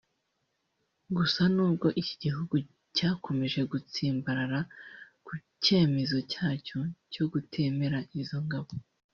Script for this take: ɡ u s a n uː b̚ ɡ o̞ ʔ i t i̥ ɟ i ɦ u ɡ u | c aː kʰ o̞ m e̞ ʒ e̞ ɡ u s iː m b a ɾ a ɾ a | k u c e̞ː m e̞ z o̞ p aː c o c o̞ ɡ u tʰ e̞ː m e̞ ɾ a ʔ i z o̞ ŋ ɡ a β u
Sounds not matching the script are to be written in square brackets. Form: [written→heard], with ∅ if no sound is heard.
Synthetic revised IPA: ɡ u s a n uː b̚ ɡ o̞ ʔ i [t→c] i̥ ɟ i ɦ u ɡ u | c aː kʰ o̞ m e̞ ʒ e̞ ɡ u [s→t͡s] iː m b a ɾ a ɾ a | k u c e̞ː m e̞ z o̞ [p→c] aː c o c o̞ ɡ u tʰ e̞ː m e̞ ɾ a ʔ i z o̞ ŋ ɡ a β [u→o]